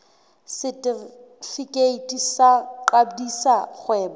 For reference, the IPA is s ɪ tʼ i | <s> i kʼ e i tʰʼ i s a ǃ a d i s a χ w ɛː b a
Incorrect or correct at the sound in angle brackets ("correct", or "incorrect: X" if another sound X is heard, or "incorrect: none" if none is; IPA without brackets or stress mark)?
incorrect: f